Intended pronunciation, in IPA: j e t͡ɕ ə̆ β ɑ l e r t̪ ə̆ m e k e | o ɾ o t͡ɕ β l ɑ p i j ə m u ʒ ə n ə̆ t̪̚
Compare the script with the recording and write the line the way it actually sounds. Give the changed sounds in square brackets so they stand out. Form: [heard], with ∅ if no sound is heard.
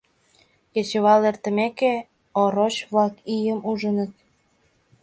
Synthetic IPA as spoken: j e t͡ɕ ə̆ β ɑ l e r t̪ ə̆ m e k e | o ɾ o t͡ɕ β l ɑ [k] i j ə m u ʒ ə n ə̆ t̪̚